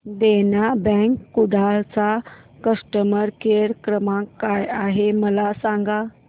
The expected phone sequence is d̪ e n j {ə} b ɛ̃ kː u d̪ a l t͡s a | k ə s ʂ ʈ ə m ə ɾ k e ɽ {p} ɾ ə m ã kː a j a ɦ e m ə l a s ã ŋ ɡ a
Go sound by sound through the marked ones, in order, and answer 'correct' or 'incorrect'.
incorrect, incorrect

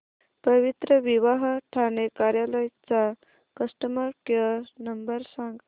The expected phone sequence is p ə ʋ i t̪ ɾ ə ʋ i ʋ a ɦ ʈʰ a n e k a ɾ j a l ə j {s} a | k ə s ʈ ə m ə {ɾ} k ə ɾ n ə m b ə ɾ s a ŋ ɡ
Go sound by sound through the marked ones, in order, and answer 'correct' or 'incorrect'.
incorrect, correct

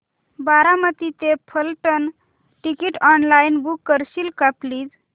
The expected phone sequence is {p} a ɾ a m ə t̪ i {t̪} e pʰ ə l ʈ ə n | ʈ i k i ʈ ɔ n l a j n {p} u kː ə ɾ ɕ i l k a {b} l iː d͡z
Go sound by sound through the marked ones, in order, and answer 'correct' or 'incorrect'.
incorrect, correct, incorrect, incorrect

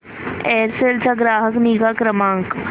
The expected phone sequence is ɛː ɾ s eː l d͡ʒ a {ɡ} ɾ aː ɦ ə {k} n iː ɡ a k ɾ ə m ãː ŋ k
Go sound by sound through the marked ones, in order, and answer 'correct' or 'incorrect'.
correct, correct

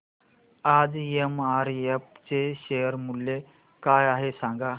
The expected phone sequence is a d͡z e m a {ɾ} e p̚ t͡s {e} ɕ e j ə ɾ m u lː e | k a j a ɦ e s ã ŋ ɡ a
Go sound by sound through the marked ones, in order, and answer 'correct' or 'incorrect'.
correct, correct

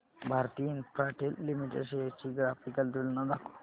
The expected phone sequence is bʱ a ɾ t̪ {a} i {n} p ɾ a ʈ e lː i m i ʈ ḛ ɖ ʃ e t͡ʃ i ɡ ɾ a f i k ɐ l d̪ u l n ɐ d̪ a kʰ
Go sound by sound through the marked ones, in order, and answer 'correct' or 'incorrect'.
incorrect, correct

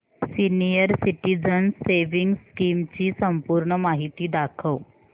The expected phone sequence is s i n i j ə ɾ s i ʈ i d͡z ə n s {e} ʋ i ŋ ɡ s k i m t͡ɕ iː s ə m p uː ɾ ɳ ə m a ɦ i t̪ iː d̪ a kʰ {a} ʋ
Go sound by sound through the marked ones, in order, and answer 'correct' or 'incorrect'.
correct, incorrect

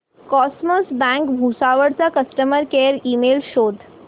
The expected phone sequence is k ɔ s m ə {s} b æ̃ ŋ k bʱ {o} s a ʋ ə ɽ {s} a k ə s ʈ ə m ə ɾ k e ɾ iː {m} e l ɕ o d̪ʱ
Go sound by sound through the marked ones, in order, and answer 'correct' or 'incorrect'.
correct, incorrect, incorrect, correct

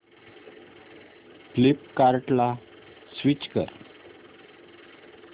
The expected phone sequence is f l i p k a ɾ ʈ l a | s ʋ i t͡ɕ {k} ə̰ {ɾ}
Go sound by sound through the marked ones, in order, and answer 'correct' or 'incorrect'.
correct, correct

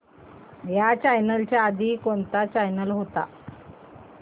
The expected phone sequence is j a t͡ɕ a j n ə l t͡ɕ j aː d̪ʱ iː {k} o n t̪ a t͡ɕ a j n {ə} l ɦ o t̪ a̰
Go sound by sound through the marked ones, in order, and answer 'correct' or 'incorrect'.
correct, correct

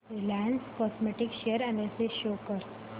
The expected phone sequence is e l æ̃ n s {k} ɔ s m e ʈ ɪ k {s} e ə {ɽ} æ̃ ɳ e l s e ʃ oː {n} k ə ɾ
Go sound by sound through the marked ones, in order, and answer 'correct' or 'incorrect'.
correct, incorrect, incorrect, incorrect

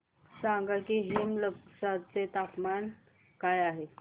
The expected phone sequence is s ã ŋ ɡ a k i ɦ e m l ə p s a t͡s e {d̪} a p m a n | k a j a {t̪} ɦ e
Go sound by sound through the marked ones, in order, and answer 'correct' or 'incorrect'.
incorrect, incorrect

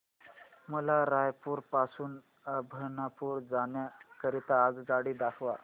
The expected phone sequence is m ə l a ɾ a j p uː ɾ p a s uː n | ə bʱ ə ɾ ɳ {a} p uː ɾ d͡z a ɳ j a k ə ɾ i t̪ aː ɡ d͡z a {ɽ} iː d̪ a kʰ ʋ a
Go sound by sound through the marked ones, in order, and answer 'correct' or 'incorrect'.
correct, correct

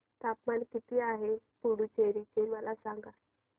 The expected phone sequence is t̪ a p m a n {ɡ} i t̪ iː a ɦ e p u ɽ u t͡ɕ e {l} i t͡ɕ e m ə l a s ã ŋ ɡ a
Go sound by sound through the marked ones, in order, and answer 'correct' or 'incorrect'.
incorrect, incorrect

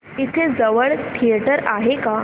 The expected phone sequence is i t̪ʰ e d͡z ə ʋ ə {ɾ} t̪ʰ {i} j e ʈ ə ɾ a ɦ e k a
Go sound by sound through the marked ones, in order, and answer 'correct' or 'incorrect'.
incorrect, correct

